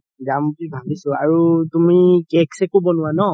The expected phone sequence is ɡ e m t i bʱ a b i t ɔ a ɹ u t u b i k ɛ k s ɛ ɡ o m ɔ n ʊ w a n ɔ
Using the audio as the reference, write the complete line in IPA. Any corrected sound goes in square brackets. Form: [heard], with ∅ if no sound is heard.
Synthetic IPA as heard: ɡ [a] m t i bʱ a b i [s] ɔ a ɹ u t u [m] i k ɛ k s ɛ [k] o [b] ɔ n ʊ w a n ɔ